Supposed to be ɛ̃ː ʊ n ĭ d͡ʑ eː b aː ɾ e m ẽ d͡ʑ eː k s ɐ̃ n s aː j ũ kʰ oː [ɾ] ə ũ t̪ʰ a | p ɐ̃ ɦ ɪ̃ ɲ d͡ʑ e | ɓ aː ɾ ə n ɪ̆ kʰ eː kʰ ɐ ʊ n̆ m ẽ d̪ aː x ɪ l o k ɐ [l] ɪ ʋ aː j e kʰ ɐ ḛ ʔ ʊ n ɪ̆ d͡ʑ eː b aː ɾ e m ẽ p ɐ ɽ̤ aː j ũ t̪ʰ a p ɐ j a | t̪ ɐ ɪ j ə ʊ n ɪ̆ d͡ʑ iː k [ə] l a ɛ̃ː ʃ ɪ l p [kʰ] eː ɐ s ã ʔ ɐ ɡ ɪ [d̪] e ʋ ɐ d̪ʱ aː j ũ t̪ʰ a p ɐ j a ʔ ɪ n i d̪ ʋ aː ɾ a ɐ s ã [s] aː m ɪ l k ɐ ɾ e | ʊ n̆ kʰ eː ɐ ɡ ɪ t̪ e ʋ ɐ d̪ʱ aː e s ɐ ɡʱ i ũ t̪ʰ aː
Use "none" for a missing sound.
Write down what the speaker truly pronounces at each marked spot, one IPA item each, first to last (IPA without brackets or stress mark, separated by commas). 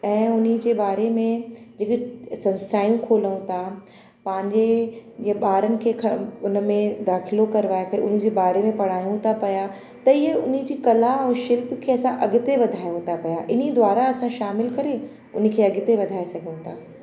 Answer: l, ɾ, ɐ, kʰ, t̪, ʃ